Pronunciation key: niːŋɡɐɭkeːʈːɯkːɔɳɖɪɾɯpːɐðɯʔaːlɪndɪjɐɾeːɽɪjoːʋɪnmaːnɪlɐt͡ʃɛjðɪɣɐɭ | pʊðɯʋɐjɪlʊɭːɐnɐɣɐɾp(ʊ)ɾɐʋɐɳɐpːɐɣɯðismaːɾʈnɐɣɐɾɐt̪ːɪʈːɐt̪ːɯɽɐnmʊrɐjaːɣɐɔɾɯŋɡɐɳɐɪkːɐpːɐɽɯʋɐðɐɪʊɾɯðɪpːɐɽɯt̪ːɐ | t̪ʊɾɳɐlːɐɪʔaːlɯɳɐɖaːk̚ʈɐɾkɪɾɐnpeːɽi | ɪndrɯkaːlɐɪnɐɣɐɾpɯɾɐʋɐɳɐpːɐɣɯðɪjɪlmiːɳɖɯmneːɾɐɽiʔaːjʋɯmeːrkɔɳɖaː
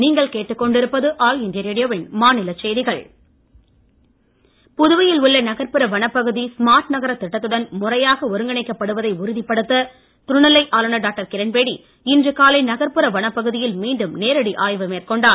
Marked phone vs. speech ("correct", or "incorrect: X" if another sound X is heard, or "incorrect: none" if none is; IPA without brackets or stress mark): incorrect: ɯ